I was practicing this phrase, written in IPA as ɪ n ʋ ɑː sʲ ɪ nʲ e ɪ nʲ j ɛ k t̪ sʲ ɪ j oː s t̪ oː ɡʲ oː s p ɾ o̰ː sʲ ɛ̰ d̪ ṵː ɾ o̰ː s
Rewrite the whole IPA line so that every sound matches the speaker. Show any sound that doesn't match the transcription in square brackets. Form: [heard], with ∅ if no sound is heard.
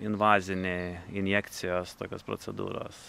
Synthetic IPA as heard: ɪ n ʋ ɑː [zʲ] ɪ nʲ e ɪ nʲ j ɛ k t̪ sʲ ɪ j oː s t̪ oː [kʲ] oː s p ɾ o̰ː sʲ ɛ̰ d̪ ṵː ɾ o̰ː s